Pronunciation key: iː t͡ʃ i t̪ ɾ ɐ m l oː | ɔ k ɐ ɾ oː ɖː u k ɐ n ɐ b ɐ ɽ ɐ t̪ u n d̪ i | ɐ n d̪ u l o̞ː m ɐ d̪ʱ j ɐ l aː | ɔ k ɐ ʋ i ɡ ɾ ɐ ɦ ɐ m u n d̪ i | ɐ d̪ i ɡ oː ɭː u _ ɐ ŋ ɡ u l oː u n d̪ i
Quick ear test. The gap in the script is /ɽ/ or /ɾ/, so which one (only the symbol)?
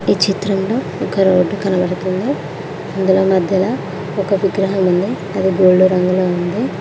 ɾ